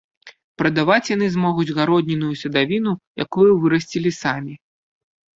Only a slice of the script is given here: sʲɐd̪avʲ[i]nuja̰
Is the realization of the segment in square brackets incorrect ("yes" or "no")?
no